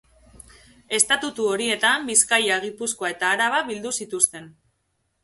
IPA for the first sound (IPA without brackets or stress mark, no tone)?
e̞